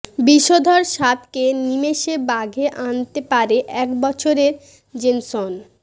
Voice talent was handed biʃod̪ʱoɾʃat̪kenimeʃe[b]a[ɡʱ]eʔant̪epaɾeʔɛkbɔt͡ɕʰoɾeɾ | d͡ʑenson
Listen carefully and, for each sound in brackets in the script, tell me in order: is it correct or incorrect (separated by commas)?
correct, correct